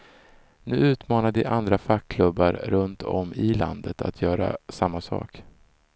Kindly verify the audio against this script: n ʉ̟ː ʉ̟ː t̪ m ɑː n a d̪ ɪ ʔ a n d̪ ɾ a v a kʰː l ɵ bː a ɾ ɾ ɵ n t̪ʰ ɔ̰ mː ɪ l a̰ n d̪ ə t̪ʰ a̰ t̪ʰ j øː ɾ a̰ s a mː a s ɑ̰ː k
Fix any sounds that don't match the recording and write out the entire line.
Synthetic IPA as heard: n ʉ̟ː ʉ̟ː t̪ m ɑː n a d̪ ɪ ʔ a n d̪ ɾ a f a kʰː l ɵ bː a ɾ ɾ ɵ n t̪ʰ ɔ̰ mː ɪ l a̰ n d̪ ə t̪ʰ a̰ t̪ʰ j œː ɾ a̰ s a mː a s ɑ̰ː k